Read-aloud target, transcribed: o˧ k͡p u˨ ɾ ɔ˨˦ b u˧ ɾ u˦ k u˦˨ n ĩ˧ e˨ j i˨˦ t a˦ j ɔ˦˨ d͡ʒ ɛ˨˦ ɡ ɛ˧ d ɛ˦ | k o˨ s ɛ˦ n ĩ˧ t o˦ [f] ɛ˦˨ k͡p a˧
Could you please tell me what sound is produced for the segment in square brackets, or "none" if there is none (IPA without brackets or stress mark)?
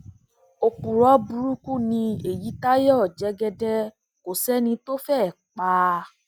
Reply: f